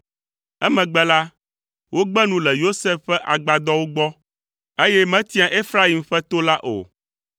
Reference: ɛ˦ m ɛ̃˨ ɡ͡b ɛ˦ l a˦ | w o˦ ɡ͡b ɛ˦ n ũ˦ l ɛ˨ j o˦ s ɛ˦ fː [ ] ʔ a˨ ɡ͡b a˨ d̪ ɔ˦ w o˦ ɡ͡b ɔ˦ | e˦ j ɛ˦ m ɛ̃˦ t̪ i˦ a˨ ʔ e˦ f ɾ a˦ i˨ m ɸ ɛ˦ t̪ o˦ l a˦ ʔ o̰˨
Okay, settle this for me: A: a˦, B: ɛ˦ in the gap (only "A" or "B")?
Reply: B